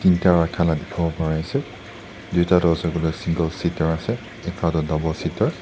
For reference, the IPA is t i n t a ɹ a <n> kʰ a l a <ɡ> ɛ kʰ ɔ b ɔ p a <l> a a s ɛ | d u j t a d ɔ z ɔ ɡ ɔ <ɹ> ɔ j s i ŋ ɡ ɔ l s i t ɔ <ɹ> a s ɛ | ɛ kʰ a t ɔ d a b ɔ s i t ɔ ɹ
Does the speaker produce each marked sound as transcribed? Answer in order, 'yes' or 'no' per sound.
no, no, no, no, yes

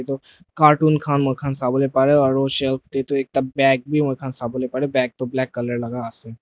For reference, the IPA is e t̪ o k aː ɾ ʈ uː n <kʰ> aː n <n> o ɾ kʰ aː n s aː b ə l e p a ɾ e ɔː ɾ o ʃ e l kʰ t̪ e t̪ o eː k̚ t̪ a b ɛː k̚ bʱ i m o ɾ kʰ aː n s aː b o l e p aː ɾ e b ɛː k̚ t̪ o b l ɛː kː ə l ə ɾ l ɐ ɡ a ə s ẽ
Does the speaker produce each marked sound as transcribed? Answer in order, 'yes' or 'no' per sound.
yes, no

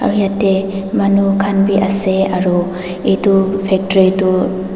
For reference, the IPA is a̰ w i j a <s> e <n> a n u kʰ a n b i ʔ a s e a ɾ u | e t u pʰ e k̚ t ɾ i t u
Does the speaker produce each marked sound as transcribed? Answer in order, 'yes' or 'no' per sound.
no, no

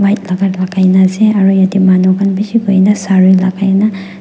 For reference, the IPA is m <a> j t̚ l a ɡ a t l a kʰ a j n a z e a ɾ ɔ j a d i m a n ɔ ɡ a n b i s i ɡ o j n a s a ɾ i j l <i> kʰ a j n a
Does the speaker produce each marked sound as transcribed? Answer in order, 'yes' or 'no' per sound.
yes, no

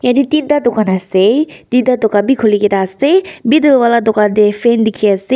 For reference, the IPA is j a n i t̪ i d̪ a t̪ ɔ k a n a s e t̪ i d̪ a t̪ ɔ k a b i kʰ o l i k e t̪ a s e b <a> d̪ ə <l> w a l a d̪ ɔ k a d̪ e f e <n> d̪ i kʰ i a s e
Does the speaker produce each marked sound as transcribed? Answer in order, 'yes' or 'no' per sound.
no, yes, yes

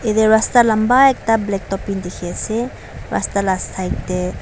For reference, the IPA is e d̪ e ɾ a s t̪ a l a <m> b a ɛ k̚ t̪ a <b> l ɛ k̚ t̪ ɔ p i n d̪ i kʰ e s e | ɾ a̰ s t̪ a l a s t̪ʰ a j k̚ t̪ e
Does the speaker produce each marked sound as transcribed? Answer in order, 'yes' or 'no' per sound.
yes, yes

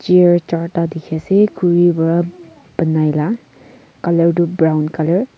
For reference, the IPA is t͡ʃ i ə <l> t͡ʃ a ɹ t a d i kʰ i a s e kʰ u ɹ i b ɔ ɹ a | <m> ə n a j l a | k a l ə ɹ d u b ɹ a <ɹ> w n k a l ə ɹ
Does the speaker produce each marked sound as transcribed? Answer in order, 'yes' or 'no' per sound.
no, no, no

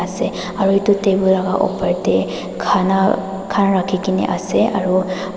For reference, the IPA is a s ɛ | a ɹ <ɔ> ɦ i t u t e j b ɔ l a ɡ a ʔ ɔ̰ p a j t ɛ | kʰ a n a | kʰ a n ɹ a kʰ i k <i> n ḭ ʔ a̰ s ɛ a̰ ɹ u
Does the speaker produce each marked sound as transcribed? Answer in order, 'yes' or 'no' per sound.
no, yes

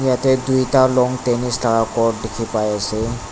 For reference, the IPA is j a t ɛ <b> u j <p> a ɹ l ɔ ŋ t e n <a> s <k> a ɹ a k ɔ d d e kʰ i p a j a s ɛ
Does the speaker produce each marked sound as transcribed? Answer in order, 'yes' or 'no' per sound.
no, no, no, no

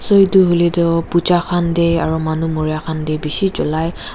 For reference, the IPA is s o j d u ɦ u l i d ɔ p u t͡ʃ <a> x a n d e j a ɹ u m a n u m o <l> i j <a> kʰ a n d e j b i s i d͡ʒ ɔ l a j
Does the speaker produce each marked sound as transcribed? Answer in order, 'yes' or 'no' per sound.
yes, no, yes

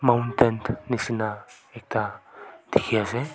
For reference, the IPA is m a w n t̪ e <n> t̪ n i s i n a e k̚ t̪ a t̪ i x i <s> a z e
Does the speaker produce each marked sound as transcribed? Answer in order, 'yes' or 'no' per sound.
yes, no

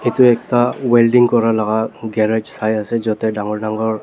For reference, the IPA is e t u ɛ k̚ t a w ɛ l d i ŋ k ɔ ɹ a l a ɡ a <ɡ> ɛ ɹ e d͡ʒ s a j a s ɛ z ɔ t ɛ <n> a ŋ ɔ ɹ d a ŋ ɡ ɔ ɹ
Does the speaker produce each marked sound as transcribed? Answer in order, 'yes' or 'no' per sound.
yes, no

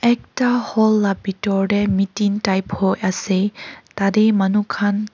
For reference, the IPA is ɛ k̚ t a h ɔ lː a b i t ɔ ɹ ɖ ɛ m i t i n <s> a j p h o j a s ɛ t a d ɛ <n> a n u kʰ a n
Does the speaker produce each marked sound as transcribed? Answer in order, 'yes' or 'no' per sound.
no, no

